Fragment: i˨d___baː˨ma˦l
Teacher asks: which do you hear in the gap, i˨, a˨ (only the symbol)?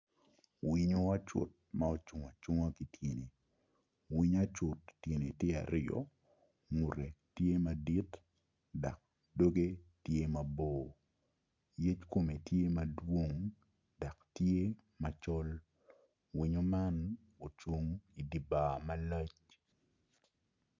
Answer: i˨